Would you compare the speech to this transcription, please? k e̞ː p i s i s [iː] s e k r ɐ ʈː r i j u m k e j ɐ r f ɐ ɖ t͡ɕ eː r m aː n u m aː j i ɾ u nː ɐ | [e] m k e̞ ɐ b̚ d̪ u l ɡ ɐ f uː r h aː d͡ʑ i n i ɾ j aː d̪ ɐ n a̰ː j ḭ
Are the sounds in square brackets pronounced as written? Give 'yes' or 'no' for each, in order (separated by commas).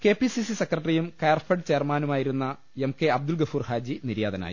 no, yes